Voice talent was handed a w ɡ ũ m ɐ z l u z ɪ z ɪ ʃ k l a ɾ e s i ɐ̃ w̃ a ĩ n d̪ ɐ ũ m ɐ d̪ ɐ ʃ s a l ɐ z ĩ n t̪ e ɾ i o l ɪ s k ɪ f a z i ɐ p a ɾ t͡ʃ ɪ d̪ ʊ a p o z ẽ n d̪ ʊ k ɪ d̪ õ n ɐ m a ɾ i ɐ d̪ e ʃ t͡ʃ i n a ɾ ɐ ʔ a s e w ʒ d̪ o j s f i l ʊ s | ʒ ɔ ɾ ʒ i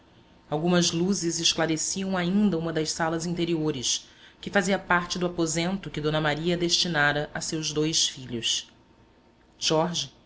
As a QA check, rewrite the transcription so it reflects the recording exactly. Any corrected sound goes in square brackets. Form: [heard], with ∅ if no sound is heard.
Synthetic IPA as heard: a w ɡ ũ m ɐ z l u z ɪ z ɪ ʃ k l a ɾ e s i ɐ̃ w̃ a ĩ n d̪ ɐ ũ m ɐ d̪ ɐ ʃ s a l ɐ z ĩ n t̪ e ɾ i o [ɾ] ɪ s k ɪ f a z i ɐ p a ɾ t͡ʃ ɪ d̪ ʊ a p o z ẽ n [t̪] ʊ k ɪ d̪ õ n ɐ m a ɾ i ɐ d̪ e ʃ t͡ʃ i n a ɾ ɐ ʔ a s e w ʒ d̪ o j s f i [ʎ] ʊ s | ʒ ɔ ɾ ʒ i

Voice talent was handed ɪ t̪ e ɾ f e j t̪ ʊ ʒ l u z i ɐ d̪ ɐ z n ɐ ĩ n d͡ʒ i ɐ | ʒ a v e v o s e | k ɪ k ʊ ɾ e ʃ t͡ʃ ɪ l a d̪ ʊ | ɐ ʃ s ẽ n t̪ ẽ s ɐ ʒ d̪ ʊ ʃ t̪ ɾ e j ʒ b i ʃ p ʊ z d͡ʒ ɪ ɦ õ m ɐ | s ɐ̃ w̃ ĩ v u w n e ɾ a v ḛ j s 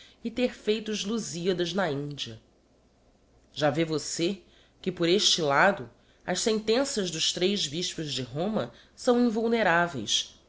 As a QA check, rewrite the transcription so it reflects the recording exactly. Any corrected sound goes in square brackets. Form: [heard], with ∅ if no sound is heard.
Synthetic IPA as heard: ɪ t̪ e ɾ f e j t̪ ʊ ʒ l u z i ɐ d̪ ɐ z n ɐ ĩ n d͡ʒ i ɐ | ʒ a v e v o s e | k ɪ [p] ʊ ɾ e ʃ t͡ʃ ɪ l a d̪ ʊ | ɐ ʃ s ẽ n t̪ ẽ s ɐ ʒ d̪ ʊ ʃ t̪ ɾ e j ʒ b i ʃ p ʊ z d͡ʒ ɪ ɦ õ m ɐ | s ɐ̃ w̃ ĩ v u w n e ɾ a v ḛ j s

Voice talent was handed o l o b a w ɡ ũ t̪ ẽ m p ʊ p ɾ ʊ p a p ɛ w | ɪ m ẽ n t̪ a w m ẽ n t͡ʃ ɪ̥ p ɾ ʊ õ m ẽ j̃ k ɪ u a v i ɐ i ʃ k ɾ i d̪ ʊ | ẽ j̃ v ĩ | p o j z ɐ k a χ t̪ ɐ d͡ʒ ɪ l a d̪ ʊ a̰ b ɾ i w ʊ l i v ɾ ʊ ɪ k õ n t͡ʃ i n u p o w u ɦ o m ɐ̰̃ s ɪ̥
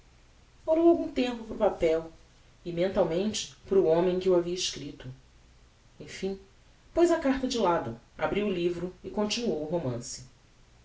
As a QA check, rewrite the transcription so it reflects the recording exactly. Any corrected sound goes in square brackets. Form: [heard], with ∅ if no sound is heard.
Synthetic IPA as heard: o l o [w] a w ɡ ũ t̪ ẽ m p ʊ p ɾ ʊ p a p ɛ w | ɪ m ẽ n t̪ a w m ẽ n t͡ʃ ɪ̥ p ɾ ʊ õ m ẽ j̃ k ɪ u a v i ɐ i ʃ k ɾ i [t̪] ʊ | ẽ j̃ [f] ĩ | p o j z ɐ k a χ t̪ ɐ d͡ʒ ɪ l a d̪ ʊ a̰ b ɾ i w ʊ l i v ɾ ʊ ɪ k õ n t͡ʃ i n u [∅] o w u ɦ o m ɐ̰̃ s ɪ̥

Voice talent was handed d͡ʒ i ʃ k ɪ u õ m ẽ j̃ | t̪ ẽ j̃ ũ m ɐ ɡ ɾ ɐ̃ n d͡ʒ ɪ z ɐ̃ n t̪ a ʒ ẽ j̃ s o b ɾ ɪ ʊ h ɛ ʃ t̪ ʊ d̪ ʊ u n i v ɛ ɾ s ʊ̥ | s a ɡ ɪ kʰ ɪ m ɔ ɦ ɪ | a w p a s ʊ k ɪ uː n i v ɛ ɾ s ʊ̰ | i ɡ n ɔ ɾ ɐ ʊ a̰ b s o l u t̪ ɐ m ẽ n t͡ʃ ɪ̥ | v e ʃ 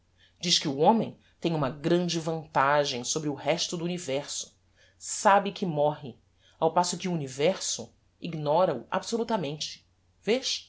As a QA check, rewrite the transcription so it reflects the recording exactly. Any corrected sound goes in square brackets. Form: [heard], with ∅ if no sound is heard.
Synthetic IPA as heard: d͡ʒ i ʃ k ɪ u õ m ẽ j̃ | t̪ ẽ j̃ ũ m ɐ ɡ ɾ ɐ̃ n d͡ʒ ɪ [v] ɐ̃ n t̪ a ʒ ẽ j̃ s o b ɾ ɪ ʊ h ɛ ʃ t̪ ʊ d̪ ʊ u n i v ɛ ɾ s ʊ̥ | s a [b] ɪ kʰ ɪ m ɔ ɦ ɪ | a w p a s ʊ k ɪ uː n i v ɛ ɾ s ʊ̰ | i ɡ n ɔ ɾ ɐ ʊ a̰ b s o l u t̪ ɐ m ẽ n t͡ʃ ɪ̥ | v e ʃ

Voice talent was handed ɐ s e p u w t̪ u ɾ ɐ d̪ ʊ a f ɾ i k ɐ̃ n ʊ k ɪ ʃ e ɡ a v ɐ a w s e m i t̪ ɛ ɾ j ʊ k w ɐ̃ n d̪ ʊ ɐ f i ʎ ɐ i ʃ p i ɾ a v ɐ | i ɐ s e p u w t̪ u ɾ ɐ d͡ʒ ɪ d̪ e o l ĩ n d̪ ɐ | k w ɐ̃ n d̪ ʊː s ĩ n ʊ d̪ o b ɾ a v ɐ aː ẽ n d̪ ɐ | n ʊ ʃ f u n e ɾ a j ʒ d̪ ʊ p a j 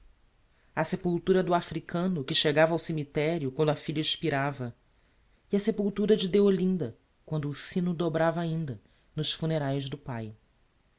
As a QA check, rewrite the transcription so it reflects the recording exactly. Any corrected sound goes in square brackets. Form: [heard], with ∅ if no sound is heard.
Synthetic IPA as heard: ɐ s e p u w t̪ u ɾ ɐ d̪ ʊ a f ɾ i k ɐ̃ n ʊ k ɪ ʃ e ɡ a v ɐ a w s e m i t̪ ɛ ɾ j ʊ k w ɐ̃ n d̪ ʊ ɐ f i ʎ ɐ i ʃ p i ɾ a v ɐ | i ɐ s e p u w t̪ u ɾ ɐ d͡ʒ ɪ d̪ e o l ĩ n d̪ ɐ | k w ɐ̃ n d̪ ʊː s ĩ n ʊ d̪ o b ɾ a v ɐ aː [ĩ] n d̪ ɐ | n ʊ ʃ f u n e ɾ a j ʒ d̪ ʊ p a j

